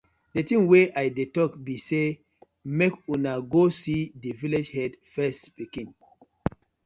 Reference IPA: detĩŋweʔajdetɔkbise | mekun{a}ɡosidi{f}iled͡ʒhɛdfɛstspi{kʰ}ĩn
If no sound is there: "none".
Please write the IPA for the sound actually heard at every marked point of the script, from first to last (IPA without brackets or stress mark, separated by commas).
a, v, k